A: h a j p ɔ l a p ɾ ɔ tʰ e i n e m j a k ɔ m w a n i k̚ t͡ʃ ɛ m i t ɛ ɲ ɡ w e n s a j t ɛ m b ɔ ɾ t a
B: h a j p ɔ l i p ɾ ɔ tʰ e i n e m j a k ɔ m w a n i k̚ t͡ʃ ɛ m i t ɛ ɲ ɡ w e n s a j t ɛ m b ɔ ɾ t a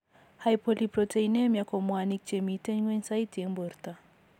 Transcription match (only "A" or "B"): B